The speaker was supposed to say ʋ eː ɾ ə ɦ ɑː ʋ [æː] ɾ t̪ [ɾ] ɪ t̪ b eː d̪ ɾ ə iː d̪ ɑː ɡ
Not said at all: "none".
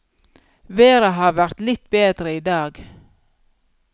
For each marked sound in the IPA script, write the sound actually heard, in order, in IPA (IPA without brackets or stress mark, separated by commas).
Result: æ, l